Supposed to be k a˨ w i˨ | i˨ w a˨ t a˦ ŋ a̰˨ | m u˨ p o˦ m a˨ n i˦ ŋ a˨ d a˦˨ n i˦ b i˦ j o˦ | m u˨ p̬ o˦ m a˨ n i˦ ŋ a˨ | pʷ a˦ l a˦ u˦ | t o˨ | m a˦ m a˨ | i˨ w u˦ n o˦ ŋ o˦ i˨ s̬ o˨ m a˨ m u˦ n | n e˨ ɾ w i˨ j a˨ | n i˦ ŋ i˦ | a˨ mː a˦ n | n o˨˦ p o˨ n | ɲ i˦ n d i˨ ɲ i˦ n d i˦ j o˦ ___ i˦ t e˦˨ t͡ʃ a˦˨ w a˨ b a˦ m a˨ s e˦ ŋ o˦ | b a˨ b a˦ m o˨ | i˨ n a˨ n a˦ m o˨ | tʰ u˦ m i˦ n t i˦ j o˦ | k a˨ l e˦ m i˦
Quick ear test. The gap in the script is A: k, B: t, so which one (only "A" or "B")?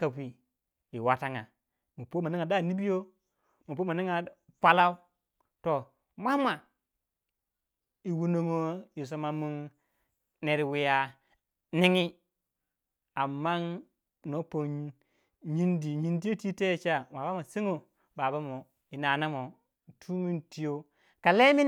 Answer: B